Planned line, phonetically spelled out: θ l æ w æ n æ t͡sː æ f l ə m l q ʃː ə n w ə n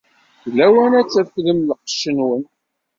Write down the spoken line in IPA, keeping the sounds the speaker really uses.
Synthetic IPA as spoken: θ l æ w æ n æ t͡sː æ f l ə m l q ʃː ə n w ə n

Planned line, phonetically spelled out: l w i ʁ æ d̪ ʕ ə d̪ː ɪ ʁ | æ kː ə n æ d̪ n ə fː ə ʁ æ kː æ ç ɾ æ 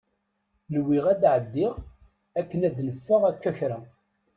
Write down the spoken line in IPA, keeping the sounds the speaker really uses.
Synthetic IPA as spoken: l w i ʁ æ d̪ ʕ ə d̪ː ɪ ʁ | æ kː ə n æ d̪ n ə fː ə ʁ æ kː æ ç ɾ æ

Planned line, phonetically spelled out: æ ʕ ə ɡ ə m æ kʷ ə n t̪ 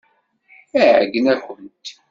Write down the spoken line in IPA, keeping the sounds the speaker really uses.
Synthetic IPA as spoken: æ ʕ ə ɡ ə n æ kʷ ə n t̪

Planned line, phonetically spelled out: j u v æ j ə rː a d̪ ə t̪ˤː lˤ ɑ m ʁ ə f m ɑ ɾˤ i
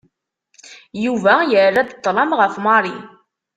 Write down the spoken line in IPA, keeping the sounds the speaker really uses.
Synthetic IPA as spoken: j u v æ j ə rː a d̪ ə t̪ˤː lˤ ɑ m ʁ ə f m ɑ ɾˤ i

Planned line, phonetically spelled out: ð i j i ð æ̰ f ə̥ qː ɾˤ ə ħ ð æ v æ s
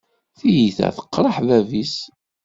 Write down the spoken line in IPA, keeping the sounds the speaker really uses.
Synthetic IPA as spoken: θ i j i θ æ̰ θ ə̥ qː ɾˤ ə ħ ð æ v i s

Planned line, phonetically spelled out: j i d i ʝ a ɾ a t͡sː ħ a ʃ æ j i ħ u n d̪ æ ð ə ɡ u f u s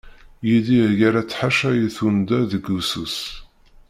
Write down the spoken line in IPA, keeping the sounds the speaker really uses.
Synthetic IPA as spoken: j i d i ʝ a ɾ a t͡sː ħ a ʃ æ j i θ u n d̪ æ ð ə ɡ u s u s

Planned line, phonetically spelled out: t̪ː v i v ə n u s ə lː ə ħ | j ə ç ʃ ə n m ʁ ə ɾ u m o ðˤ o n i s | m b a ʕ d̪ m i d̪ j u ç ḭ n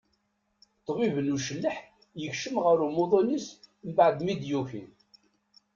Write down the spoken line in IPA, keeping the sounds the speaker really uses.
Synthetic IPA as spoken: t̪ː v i v ə n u ʃ ə lː ə ħ | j ə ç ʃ ə m ʁ ə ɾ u m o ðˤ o n i s | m b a ʕ d̪ m i d̪ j u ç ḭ n

